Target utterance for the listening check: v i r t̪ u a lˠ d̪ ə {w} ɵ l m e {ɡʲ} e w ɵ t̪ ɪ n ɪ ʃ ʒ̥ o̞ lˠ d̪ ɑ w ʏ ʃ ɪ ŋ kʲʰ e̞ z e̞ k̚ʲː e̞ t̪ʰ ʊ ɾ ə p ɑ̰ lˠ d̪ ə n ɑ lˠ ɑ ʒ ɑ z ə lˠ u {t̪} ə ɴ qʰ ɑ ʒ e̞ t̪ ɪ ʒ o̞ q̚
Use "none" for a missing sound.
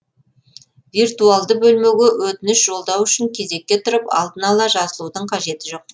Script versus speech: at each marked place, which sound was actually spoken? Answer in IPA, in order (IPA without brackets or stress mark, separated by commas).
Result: b, ɡʲ, d̪